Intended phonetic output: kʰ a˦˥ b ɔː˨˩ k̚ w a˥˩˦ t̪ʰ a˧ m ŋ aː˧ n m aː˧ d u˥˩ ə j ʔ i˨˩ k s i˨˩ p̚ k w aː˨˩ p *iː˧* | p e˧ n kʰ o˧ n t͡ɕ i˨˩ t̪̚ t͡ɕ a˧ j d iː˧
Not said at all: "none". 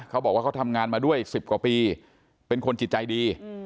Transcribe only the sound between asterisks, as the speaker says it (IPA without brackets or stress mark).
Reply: iː˧